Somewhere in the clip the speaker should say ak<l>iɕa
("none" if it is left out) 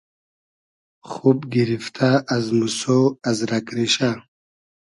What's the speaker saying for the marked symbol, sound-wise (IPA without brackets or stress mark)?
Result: ɾ